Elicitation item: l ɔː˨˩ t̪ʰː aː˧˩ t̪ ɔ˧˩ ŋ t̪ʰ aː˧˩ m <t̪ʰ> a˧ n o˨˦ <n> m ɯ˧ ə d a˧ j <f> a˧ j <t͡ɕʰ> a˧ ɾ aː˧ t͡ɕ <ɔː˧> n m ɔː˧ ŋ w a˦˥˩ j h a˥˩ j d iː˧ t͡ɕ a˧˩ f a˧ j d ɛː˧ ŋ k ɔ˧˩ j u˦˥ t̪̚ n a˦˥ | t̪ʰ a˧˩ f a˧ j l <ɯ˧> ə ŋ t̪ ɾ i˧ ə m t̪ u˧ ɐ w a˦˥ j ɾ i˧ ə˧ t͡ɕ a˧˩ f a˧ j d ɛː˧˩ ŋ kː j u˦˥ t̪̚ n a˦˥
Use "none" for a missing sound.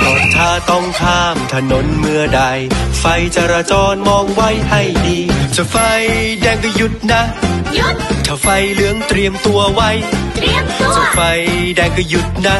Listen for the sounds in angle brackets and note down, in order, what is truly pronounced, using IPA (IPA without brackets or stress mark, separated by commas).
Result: t̪ʰ, n, f, t͡ɕ, ɔː˧, ɯ˦˥